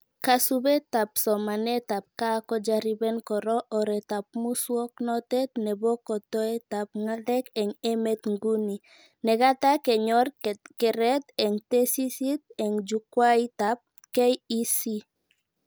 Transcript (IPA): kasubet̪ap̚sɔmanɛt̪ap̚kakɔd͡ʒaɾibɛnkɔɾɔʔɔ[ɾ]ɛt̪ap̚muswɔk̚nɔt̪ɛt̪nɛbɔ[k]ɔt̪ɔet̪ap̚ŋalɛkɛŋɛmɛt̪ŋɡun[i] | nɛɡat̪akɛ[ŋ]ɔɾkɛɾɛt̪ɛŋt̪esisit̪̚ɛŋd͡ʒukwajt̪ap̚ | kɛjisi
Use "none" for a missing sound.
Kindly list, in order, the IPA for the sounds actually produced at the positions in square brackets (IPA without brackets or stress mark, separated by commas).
ɾ, k, i, ɲ